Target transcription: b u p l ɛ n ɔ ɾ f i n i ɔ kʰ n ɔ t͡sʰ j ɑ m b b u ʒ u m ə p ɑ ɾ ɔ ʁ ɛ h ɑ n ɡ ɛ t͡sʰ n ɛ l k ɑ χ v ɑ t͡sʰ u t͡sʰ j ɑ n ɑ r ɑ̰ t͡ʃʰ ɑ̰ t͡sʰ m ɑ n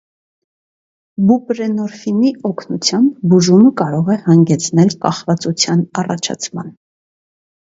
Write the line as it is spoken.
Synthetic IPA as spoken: b u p ɾ ɛ n ɔ ɾ f i n i ɔ kʰ n u t͡sʰ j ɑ m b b u ʒ u m ə k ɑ ɾ ɔ ʁ ɛ h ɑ ŋ ɡ ɛ t͡sʰ n ɛ l k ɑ χ v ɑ t͡s u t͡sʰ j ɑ n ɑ r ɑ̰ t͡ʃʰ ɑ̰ t͡sʰ m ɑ n